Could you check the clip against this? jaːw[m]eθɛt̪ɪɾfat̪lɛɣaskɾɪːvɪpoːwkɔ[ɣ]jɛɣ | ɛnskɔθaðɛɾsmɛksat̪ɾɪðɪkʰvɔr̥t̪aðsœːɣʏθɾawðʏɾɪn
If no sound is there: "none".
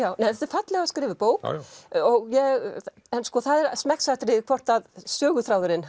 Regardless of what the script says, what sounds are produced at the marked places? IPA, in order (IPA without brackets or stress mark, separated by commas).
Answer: n, ɣ